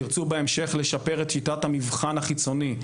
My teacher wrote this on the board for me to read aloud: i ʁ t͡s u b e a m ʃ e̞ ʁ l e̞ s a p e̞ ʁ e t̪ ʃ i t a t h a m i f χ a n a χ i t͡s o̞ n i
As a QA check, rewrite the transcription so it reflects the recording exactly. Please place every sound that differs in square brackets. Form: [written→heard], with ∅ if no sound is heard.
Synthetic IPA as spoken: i ʁ t͡s u b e [a→e] m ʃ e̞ [ʁ→χ] l e̞ [s→ʃ] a p e̞ ʁ e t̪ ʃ i t a t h a m i [f→v] χ a n a χ i t͡s o̞ n i